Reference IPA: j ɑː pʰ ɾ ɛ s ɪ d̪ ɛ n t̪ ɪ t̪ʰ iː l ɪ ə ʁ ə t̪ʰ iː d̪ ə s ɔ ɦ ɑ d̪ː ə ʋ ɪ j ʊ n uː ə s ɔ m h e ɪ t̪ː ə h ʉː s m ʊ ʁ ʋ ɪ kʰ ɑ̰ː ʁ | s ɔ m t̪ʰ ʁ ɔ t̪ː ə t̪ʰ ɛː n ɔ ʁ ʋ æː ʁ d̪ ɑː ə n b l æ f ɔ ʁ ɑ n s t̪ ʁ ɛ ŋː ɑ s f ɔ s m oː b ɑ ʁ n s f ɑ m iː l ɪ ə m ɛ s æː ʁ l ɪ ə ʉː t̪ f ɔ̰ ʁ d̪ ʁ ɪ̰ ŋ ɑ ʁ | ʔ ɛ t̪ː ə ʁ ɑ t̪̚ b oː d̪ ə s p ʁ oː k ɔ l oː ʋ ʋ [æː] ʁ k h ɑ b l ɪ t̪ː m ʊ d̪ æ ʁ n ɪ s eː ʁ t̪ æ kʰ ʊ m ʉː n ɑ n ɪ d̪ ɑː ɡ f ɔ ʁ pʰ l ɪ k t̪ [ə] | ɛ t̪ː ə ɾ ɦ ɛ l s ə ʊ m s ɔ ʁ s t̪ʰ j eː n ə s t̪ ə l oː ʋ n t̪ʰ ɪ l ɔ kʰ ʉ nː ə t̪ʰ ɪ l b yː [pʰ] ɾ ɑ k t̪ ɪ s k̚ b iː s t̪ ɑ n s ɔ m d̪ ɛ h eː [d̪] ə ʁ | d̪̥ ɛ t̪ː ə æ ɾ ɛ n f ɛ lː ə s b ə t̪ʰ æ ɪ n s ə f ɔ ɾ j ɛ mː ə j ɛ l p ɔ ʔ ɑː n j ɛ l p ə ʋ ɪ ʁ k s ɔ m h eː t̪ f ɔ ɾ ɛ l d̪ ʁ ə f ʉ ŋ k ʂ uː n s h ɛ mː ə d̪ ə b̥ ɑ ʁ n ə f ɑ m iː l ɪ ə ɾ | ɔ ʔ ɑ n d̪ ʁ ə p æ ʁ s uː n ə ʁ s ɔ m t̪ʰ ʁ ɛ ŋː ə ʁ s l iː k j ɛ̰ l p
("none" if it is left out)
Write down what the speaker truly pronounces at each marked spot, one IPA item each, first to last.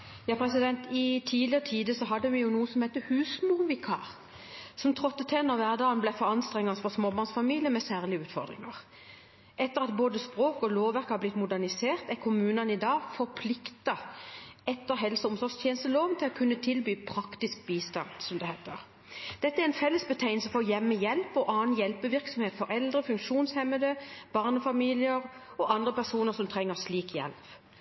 æ, ɑ, pʰ, t̪

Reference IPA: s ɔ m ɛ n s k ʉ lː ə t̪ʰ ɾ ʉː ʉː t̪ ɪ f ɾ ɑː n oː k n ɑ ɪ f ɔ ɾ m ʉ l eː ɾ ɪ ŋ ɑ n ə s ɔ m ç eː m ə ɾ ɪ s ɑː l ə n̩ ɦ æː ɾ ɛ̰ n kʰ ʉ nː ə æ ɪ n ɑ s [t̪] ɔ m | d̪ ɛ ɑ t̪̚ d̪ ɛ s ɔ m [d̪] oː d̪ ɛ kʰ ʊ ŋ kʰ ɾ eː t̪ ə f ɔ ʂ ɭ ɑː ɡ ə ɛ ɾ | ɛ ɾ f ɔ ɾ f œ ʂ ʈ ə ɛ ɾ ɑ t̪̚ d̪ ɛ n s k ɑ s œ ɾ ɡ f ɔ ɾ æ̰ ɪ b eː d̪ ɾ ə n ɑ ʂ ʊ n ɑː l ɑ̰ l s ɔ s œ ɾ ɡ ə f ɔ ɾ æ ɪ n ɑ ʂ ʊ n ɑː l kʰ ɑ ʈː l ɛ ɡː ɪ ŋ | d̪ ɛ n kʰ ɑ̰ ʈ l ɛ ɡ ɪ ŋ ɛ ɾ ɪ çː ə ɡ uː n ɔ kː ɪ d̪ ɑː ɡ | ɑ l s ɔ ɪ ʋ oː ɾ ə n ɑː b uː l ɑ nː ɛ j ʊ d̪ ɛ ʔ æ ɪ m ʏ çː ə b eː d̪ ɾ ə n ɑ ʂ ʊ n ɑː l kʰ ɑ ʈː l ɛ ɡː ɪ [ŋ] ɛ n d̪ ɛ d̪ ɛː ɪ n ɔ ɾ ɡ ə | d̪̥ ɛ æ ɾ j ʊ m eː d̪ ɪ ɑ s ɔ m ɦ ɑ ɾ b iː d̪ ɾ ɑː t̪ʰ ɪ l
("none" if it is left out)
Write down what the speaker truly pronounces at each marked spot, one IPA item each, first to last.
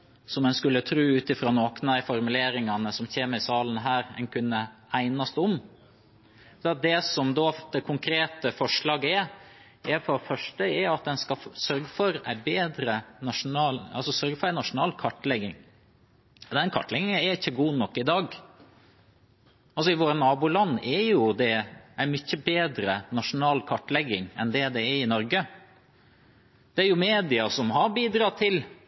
t̪, d̪, ŋ

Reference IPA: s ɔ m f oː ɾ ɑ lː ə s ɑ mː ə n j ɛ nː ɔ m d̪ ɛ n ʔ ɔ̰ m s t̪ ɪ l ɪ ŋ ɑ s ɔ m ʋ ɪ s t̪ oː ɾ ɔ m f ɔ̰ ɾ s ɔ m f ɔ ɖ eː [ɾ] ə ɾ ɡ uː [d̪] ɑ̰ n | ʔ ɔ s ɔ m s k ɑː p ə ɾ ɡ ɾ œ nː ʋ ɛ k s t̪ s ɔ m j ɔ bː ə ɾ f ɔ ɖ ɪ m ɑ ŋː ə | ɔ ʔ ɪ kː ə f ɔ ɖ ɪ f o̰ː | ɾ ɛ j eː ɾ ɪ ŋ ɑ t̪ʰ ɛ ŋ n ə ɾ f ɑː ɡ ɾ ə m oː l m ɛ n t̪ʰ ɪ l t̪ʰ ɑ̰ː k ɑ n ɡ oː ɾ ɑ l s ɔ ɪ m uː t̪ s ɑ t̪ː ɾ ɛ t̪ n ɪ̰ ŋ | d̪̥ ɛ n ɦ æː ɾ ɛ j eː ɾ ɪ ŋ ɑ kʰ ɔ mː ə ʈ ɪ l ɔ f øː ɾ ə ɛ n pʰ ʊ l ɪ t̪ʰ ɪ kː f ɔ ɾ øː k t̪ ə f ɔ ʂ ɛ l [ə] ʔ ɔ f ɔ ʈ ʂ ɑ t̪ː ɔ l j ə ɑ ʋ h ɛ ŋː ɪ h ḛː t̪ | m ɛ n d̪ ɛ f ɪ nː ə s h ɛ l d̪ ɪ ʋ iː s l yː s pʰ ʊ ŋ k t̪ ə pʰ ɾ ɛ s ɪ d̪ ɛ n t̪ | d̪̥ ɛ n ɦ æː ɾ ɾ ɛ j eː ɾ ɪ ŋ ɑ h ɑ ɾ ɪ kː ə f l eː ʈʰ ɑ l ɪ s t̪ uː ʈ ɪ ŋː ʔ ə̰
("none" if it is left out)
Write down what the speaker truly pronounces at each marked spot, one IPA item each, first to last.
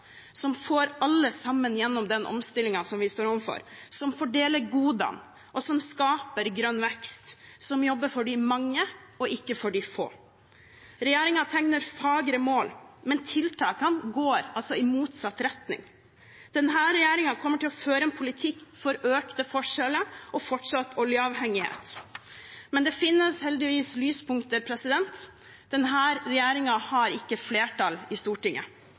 l, d̪, ə

